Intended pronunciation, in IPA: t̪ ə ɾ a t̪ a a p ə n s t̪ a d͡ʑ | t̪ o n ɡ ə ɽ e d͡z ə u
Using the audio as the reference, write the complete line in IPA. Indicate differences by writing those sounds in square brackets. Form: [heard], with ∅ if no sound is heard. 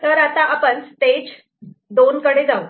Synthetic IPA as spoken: t̪ ə ɾ a t̪ a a p ə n s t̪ [e] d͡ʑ | [d̪] o n [k] ə ɽ e d͡z [a] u